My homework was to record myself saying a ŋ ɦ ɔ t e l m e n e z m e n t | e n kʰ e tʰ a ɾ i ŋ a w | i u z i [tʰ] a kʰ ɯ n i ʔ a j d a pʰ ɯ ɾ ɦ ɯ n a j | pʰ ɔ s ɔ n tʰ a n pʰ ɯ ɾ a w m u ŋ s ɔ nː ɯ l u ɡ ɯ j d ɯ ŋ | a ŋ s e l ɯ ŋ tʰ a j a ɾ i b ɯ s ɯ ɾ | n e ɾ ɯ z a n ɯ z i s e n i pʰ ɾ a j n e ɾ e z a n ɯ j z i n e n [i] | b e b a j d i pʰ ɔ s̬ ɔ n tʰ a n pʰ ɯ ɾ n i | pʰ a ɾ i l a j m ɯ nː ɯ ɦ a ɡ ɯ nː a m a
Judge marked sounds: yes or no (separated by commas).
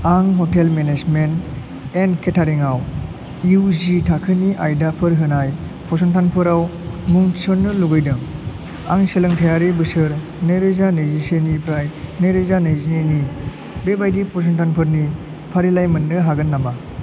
yes, yes